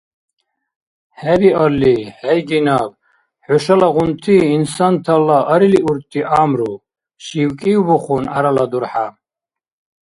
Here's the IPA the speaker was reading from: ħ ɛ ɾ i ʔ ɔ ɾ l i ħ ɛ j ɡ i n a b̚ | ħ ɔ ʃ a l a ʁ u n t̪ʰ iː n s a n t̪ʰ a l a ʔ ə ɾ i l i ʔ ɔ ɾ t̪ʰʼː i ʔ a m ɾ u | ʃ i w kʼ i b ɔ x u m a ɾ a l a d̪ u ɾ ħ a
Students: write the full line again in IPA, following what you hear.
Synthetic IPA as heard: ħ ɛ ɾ i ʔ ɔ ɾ l i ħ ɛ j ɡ i n a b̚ | ħ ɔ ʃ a l a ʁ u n t̪ʰ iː n s a n t̪ʰ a l a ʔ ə ɾ i l i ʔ u ɾ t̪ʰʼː i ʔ a m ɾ u | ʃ i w kʼ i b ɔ χ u n a ɾ a l a d̪ u ɾ ħ a